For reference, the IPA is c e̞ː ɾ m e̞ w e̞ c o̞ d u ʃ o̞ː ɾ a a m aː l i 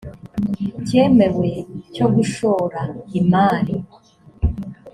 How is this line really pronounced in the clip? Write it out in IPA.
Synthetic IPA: c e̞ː m e̞ w e̞ c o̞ ɡ u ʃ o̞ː ɾ a i m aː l i